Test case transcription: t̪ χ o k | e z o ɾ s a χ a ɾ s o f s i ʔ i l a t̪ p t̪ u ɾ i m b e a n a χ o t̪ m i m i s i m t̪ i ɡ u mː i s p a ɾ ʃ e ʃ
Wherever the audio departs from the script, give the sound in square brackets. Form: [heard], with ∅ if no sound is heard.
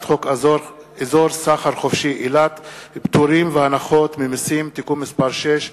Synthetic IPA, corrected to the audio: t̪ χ o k | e z o ɾ s a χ a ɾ [χ] o f [ʃ] i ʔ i l a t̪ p t̪ u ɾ i m [v] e a n a χ o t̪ m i m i s i m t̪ i [k] u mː i s p a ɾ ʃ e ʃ

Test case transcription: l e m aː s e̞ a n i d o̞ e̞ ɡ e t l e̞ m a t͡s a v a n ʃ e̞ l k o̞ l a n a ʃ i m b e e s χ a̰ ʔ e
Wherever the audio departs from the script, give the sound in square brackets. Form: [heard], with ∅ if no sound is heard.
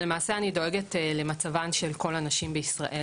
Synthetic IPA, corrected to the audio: l e m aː s e̞ a n i d o̞ e̞ ɡ e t l e̞ m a t͡s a v a n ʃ e̞ l k o̞ l a n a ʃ i m b e [i] s [ʁ] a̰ ʔ e

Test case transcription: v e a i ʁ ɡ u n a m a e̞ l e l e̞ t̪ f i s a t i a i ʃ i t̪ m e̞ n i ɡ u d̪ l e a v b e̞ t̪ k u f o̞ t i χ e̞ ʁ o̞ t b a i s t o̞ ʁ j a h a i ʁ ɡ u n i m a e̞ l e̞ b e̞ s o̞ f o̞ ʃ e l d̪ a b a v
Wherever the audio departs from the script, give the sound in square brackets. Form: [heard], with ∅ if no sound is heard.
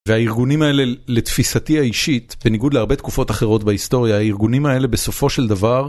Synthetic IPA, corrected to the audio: v e a i ʁ ɡ u n [i] m a e̞ l e l e̞ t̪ f i s a t i a i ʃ i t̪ [b] e̞ n i ɡ u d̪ l e a [ʁ] b e̞ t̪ k u f o̞ t [a] χ e̞ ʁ o̞ t b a i s t o̞ ʁ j a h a i ʁ ɡ u n i m a e̞ l e̞ b e̞ s o̞ f o̞ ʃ e l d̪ a [v] a [ʁ]

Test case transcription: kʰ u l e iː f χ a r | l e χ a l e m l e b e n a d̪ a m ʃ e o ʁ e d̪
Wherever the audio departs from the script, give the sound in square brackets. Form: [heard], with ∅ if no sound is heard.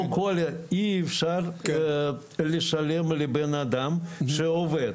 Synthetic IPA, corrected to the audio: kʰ [o] l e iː f [ʃ] a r | l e [ʃ] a l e m l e b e n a d̪ a m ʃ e o [v] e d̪

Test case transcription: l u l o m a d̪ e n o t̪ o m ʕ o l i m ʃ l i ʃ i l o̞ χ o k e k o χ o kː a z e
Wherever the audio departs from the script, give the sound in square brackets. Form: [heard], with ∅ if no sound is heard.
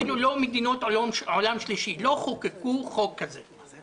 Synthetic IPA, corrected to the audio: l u l o m [e] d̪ [i] n o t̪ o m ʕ o l [a] m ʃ l i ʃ i l o̞ χ o k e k [u] χ o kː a z e

